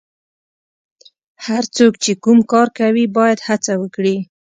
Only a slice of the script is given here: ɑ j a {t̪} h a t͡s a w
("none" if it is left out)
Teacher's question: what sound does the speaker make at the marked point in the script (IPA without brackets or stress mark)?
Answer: d̪